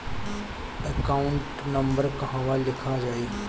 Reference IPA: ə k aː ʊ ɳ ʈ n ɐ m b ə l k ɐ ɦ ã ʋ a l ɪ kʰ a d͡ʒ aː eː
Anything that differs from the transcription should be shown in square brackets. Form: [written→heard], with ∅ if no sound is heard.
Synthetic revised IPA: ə k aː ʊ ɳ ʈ n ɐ m b ə [l→ɾ] k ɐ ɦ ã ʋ a l ɪ kʰ a d͡ʒ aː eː